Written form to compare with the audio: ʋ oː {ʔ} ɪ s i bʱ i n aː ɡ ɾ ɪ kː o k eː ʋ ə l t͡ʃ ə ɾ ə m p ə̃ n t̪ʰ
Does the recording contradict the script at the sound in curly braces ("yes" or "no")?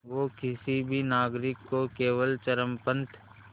yes